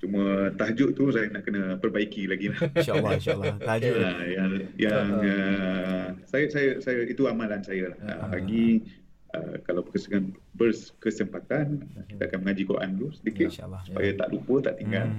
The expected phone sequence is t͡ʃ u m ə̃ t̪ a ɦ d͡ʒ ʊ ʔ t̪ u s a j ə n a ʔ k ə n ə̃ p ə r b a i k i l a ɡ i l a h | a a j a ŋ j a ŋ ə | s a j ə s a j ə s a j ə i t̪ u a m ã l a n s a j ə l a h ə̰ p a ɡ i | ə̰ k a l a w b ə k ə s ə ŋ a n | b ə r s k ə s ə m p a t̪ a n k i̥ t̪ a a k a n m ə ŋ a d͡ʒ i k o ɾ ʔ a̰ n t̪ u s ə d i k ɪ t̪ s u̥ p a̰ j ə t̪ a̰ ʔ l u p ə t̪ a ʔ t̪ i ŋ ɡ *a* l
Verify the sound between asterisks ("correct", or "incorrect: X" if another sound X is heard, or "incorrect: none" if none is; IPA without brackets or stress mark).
correct